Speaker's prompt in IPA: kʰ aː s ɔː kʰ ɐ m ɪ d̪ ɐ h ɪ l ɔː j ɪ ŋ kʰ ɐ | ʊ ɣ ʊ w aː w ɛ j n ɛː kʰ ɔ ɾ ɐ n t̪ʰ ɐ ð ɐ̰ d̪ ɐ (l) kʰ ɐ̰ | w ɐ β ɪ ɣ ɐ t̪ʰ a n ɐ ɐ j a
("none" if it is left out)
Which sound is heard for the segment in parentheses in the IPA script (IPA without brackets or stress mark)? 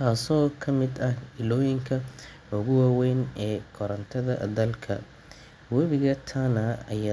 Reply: l